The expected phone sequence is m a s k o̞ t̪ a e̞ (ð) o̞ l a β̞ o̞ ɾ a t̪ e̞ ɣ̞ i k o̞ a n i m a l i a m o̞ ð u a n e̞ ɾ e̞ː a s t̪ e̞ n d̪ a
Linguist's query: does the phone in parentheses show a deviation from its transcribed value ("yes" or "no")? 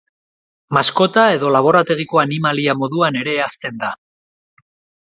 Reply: no